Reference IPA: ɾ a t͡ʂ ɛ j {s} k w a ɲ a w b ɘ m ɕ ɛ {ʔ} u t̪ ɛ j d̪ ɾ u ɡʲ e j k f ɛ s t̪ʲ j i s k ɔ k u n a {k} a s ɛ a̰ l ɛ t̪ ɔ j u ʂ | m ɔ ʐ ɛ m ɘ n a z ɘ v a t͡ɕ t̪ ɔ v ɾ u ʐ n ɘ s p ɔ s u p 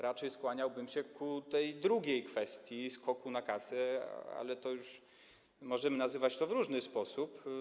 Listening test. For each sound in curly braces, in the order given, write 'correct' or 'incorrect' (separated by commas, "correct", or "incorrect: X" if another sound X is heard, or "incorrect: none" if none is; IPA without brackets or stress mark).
correct, incorrect: k, correct